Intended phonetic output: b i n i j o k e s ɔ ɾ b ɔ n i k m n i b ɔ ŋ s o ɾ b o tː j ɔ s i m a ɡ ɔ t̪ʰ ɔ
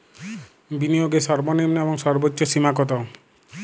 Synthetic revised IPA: b i n i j o ɡ e s ɔ ɾ b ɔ n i m n e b ɔ ŋ s ɔ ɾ b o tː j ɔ s i m a k ɔ t̪ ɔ